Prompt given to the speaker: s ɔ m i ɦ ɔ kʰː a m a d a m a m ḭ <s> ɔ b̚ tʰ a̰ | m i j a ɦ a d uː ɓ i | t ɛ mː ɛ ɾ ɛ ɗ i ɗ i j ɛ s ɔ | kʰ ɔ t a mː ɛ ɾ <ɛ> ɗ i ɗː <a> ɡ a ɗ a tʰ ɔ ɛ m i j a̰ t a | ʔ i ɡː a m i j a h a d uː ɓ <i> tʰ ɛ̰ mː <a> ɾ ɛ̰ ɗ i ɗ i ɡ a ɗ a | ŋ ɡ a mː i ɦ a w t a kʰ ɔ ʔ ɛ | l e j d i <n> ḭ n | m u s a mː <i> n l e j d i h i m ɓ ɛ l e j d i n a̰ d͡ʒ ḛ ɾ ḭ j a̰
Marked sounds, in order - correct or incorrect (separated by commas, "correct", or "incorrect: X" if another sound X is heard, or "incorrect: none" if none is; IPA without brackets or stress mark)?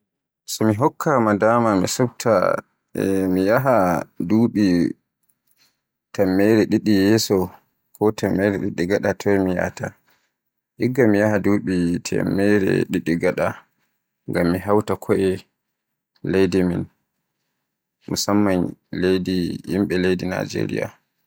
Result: correct, correct, incorrect: i, correct, incorrect: ɛ, incorrect: m, incorrect: a